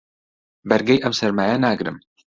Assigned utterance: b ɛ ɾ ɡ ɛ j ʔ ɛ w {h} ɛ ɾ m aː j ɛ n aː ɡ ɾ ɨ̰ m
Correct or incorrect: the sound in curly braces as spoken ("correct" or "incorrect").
incorrect